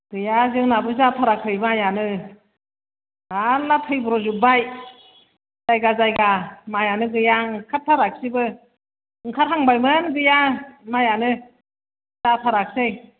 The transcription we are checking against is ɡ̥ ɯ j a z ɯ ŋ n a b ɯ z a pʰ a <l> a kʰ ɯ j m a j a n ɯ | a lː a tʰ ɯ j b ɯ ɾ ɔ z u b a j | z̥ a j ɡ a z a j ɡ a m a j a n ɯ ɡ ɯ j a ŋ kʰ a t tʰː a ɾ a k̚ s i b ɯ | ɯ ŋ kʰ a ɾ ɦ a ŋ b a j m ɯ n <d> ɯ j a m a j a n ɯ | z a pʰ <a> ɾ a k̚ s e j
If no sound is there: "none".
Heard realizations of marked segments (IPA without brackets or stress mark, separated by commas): ɾ, ɡ, a